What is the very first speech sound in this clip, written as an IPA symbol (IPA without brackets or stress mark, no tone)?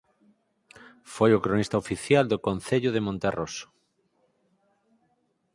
f